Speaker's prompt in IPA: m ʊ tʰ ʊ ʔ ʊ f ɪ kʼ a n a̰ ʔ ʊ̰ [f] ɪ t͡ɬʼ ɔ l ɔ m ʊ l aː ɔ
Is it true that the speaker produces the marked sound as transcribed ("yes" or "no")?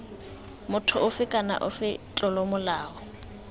yes